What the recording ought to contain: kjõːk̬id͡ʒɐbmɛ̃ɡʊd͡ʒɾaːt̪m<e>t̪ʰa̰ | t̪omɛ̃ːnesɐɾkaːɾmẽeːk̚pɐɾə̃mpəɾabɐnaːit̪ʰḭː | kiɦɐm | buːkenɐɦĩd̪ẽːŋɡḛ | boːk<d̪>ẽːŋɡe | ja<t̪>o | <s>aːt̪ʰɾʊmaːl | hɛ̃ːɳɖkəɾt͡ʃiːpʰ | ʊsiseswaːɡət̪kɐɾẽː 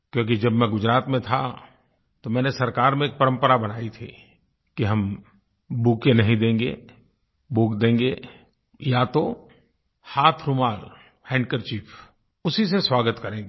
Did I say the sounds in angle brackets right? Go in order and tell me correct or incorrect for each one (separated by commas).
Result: incorrect, correct, correct, incorrect